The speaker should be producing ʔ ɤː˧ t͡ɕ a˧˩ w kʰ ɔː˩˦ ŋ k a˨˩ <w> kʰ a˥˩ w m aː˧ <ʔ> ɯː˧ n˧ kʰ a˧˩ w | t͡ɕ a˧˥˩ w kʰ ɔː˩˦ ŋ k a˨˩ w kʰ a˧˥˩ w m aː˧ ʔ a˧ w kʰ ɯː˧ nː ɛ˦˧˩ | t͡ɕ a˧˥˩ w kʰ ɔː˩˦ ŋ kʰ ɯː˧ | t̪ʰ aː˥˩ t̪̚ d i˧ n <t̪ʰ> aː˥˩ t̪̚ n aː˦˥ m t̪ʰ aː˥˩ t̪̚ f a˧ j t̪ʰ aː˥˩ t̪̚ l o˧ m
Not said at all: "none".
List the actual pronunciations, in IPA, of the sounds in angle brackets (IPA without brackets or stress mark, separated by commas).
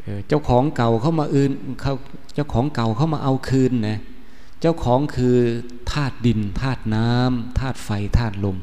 w, ʔ, t̪ʰ